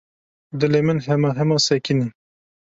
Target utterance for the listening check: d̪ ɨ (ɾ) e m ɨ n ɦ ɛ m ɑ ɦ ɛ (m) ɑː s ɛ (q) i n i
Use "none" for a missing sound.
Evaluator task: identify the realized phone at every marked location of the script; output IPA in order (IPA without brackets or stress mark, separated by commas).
l, m, k